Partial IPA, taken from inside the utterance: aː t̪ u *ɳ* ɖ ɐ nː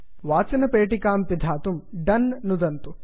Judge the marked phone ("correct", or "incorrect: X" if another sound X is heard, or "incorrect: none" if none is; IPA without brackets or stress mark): incorrect: m